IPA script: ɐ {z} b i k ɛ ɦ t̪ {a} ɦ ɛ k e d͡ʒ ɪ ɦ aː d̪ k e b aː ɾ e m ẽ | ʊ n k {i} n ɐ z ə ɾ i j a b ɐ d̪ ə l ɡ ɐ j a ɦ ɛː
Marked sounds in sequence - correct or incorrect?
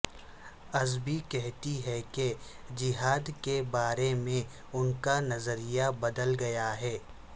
correct, incorrect: i, incorrect: a

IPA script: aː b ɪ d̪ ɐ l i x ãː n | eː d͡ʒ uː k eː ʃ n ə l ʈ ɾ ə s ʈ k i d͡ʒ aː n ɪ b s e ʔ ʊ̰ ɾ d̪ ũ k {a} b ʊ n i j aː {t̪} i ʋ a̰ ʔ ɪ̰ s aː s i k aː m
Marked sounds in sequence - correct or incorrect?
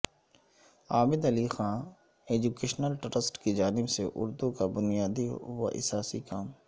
correct, incorrect: d̪

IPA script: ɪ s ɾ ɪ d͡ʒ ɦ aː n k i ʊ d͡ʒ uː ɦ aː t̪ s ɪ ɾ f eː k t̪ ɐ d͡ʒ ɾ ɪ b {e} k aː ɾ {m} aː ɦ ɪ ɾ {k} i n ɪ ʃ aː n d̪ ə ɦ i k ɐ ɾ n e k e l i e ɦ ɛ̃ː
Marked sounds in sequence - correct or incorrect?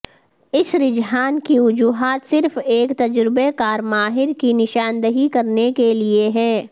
correct, correct, correct

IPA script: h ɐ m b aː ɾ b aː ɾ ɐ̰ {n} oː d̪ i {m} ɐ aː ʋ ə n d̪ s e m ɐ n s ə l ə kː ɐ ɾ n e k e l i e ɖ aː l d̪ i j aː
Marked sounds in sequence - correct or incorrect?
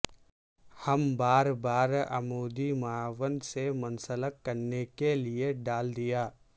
incorrect: m, correct

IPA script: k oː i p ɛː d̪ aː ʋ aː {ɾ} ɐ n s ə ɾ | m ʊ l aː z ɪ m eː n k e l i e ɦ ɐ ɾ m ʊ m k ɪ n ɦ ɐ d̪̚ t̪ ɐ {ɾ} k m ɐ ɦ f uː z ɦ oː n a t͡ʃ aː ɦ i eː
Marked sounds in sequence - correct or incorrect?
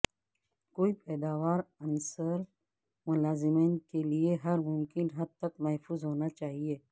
correct, incorrect: none

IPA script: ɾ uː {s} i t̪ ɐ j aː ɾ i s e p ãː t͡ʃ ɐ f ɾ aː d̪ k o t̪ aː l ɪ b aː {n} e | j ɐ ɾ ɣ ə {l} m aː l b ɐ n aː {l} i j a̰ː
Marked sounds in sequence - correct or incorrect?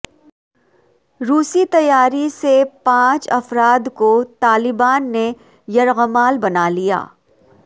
correct, incorrect: nː, incorrect: none, correct

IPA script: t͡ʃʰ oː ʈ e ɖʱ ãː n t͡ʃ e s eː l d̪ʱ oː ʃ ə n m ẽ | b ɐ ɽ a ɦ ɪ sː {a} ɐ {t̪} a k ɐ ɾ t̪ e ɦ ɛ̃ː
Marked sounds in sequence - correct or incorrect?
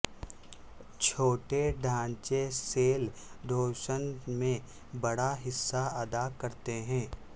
correct, incorrect: d̪

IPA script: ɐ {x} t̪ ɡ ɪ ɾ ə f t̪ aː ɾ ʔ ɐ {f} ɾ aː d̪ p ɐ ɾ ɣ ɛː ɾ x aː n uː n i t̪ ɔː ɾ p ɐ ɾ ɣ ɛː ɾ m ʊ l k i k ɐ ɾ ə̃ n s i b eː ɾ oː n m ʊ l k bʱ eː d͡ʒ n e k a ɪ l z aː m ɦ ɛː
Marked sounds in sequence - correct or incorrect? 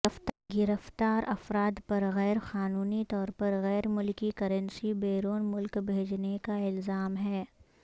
incorrect: f, correct

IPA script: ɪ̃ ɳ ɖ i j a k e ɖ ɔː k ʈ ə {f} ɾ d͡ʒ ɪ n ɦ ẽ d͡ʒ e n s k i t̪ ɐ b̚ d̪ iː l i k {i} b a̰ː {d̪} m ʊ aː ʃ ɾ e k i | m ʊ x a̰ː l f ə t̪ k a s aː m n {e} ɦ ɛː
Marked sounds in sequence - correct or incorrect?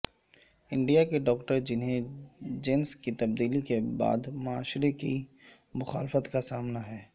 incorrect: none, incorrect: e, correct, incorrect: a

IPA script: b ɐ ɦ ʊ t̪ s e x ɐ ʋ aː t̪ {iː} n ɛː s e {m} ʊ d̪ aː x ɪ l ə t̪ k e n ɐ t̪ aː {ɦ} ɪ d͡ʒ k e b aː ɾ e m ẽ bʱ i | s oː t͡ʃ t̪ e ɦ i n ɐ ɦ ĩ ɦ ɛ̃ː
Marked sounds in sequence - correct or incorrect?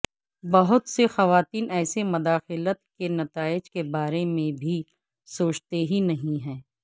correct, correct, incorrect: none

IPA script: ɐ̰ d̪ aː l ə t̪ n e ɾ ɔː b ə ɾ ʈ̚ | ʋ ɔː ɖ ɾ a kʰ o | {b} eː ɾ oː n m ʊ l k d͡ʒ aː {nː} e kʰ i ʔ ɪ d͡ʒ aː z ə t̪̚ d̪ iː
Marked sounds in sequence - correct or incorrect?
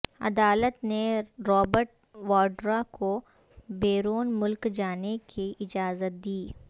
correct, incorrect: n

